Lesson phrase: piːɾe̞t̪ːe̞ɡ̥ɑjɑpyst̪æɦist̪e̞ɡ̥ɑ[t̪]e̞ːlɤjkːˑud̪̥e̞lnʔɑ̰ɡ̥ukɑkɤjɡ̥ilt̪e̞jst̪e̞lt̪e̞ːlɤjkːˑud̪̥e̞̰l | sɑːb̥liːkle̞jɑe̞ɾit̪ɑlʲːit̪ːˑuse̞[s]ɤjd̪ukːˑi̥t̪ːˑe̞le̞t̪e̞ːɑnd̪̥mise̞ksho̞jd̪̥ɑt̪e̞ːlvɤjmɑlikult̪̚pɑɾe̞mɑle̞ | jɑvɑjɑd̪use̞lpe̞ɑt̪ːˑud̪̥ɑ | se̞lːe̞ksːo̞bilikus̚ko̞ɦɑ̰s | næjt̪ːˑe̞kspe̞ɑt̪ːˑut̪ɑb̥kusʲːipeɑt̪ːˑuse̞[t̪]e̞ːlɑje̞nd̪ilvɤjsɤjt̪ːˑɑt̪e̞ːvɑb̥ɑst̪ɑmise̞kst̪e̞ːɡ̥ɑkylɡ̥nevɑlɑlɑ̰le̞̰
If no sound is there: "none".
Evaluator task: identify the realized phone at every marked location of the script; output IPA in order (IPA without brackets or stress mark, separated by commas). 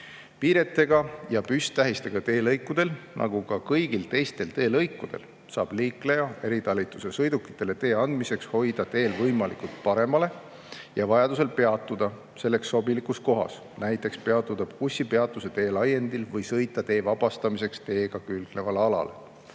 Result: t̪, s, t̪